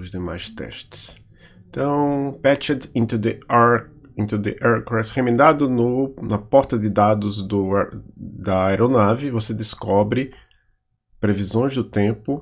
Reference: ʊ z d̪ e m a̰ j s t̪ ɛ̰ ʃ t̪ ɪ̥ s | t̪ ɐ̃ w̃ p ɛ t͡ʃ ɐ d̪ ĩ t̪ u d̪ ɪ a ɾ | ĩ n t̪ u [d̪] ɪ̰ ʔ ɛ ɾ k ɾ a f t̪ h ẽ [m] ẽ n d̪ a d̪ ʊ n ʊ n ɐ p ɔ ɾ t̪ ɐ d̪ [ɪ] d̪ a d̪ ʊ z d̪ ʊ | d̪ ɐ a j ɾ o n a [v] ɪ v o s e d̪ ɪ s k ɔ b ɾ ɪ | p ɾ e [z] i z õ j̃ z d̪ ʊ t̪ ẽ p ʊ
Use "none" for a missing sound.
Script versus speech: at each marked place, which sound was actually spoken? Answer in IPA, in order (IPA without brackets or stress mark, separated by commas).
d̪, m, ɪ, v, v